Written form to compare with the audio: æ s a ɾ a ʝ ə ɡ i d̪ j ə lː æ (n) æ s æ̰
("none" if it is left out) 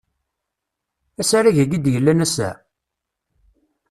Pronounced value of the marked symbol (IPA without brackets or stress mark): n